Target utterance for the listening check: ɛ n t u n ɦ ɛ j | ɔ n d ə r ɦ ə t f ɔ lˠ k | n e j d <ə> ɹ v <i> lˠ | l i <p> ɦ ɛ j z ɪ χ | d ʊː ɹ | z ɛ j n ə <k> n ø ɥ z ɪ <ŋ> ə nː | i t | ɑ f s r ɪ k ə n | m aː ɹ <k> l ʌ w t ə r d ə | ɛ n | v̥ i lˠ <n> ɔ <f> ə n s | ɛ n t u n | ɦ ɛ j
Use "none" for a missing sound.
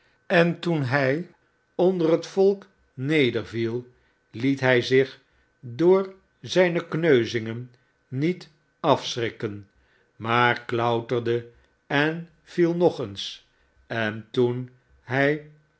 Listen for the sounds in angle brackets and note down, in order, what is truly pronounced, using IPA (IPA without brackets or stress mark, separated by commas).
ə, i, t, k, ŋ, k, n, χ